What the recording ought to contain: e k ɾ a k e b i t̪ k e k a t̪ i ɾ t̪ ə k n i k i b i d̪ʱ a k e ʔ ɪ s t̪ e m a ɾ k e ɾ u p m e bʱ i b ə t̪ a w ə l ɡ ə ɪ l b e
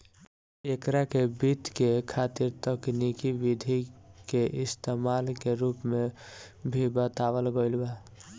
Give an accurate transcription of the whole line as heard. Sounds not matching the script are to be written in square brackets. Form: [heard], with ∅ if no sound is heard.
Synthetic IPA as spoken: e k ɾ a k e b i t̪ k e [kʰ] a t̪ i ɾ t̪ ə k n i k i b i d̪ʱ [i] k e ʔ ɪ s t̪ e m a [l] k e ɾ u p m e bʱ i b ə t̪ a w ə l ɡ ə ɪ l b [a]